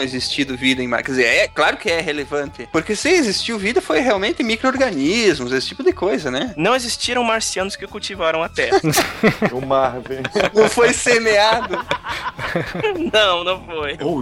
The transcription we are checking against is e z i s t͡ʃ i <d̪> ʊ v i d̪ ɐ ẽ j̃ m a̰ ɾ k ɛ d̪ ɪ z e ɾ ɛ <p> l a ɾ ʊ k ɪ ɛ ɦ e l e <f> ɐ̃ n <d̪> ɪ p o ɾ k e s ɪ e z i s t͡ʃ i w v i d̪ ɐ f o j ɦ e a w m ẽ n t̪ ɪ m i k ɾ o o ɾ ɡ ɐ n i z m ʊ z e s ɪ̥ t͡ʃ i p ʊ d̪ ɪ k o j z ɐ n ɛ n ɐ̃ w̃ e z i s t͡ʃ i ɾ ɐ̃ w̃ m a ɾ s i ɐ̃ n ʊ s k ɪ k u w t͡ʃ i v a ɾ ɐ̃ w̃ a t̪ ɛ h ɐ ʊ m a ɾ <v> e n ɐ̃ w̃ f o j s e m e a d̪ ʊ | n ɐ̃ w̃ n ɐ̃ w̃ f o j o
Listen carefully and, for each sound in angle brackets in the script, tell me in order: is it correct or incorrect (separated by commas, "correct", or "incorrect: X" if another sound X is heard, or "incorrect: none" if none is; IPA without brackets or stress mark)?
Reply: correct, incorrect: k, incorrect: v, incorrect: t̪, correct